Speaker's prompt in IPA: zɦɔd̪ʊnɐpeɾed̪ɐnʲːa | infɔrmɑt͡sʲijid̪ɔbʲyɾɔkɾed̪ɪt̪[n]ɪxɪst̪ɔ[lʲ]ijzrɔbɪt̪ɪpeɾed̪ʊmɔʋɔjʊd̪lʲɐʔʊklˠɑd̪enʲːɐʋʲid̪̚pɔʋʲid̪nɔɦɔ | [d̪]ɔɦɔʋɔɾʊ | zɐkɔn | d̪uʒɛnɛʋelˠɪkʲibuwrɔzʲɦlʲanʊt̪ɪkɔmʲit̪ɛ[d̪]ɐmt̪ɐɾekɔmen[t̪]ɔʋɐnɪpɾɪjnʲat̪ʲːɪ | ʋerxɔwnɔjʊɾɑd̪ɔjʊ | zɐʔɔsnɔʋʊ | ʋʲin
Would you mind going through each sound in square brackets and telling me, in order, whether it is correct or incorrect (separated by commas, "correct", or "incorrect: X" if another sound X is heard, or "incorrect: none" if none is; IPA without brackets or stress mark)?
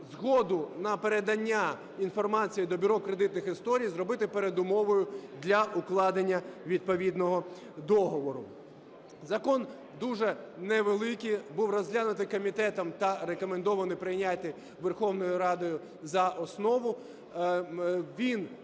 correct, incorrect: ɾʲ, correct, incorrect: t̪, incorrect: d̪